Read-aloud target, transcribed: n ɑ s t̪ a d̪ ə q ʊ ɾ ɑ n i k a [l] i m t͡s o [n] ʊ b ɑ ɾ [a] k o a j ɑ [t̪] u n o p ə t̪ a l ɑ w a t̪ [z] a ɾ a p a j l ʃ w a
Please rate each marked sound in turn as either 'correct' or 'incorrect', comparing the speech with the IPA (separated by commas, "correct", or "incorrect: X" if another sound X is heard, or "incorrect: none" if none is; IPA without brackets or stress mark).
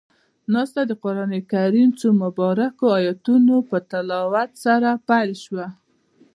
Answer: incorrect: ɾ, incorrect: m, correct, correct, incorrect: s